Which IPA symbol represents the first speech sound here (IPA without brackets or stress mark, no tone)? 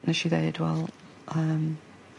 n